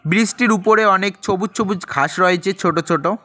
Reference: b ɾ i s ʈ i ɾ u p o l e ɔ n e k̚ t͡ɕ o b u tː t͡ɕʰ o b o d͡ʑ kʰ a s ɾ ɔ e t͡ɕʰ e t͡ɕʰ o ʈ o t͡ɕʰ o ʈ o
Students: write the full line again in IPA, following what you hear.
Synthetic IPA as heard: b ɾ i s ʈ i ɾ u p o ɾ e ɔ n e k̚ t͡ɕʰ o b u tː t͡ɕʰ o b u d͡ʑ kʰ a ʃ ɾ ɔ e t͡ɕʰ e t͡ɕʰ o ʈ o t͡ɕʰ o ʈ o